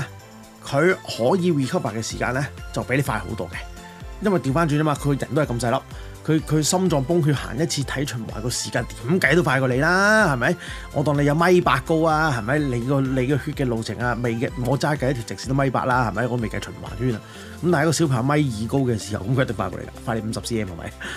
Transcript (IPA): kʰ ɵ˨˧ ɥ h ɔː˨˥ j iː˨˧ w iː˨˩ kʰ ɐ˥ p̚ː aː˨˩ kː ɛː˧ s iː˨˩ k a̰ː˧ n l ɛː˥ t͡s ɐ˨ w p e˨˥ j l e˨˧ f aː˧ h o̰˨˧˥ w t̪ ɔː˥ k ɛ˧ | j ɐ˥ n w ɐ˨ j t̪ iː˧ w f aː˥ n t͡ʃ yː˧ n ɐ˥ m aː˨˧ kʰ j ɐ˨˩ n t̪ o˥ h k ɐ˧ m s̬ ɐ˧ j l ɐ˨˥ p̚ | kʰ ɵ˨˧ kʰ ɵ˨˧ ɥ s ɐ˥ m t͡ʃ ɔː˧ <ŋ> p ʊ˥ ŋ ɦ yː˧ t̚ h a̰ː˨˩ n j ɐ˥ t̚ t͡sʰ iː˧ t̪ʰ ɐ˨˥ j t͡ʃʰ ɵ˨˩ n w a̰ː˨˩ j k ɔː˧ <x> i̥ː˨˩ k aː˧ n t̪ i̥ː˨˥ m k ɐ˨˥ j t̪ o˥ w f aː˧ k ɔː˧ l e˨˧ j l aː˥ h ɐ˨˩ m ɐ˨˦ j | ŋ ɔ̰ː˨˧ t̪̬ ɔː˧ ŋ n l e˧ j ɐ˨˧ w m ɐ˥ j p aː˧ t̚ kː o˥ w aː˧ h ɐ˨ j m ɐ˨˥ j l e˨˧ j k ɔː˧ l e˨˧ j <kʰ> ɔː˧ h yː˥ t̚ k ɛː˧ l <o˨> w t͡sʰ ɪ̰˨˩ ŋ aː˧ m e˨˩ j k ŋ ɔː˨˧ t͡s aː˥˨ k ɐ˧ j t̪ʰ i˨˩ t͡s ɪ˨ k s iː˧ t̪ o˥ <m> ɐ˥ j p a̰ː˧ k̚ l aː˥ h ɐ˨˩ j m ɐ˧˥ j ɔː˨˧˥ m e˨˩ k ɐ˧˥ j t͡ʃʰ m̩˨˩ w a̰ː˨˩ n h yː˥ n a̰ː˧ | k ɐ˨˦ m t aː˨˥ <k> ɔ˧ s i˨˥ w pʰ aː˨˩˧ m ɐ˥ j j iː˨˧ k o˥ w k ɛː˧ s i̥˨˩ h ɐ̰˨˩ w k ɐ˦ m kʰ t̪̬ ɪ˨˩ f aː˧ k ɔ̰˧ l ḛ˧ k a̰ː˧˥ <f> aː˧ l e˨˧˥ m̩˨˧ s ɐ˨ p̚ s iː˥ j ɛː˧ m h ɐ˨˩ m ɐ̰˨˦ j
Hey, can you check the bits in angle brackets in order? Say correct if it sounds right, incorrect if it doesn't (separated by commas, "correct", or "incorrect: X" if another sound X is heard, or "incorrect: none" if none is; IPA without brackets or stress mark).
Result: correct, incorrect: s, incorrect: k, correct, correct, correct, correct